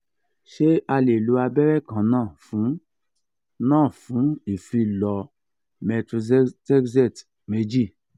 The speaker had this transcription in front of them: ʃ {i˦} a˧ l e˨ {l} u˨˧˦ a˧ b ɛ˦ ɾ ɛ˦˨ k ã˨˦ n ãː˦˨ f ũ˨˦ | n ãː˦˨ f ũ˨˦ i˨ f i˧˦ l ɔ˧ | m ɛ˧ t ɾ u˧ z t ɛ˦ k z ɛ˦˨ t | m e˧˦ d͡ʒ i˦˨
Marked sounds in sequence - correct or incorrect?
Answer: incorrect: e˦, correct

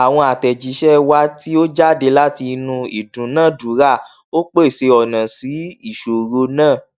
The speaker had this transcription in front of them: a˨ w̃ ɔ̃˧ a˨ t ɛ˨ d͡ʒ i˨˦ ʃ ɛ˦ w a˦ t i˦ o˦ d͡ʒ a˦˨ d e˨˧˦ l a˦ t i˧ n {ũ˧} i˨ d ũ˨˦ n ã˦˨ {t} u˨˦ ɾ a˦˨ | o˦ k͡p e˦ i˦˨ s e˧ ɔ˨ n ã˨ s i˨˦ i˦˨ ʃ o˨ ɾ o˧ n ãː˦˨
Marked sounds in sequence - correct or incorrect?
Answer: correct, incorrect: d

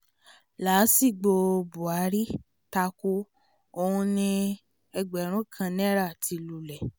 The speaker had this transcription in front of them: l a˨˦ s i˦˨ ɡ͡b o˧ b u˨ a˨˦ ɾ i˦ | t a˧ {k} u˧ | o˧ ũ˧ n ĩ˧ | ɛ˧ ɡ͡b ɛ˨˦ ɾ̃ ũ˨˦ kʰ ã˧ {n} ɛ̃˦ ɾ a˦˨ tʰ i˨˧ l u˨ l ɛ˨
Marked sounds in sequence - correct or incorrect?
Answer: correct, correct

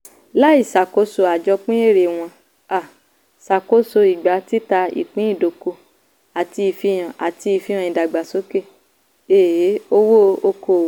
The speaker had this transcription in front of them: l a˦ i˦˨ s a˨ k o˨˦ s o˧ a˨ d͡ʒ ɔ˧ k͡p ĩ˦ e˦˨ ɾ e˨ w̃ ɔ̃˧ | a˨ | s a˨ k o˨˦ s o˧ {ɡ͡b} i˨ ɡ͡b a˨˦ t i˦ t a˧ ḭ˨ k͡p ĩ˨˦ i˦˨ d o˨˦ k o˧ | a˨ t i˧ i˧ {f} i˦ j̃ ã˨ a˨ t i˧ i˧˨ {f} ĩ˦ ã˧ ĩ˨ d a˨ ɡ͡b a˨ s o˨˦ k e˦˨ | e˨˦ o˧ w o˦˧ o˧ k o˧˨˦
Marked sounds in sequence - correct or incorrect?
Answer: incorrect: none, correct, correct

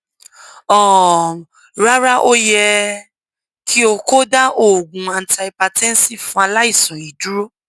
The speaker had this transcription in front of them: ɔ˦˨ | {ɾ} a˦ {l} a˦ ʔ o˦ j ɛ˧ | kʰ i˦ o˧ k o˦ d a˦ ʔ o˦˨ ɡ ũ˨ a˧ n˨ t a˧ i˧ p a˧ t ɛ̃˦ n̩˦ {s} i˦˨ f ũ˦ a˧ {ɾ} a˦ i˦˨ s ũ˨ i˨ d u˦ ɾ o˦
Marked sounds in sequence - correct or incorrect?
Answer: correct, incorrect: ɾ, correct, incorrect: l

